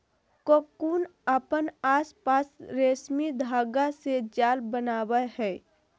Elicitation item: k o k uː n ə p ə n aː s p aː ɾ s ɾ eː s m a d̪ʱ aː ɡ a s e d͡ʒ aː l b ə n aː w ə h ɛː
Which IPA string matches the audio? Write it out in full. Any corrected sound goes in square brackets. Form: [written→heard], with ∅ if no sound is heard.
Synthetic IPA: k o k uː n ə p ə n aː s p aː [ɾ→∅] s ɾ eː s m [a→i] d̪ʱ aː ɡ a s e d͡ʒ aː l b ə n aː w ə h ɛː